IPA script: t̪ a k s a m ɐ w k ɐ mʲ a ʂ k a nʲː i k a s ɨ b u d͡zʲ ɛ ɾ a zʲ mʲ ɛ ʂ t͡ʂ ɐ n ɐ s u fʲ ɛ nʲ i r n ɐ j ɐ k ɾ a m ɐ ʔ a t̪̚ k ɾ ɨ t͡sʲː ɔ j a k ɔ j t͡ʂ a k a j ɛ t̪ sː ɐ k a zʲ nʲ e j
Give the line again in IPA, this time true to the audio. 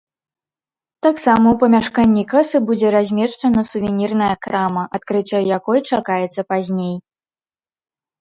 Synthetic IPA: t̪ a k s a m ɐ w p ɐ mʲ a ʂ k a nʲː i k a s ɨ b u d͡zʲ ɛ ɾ a zʲ mʲ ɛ ʂ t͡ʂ ɐ n ɐ s u vʲ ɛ nʲ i r n ɐ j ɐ k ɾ a m ɐ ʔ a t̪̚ k ɾ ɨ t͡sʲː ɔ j a k ɔ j t͡ʂ a k a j ɛ t̪ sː ɐ p a zʲ nʲ e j